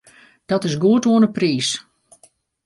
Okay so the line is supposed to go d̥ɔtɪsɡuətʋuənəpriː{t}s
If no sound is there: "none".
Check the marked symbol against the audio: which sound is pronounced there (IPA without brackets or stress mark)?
none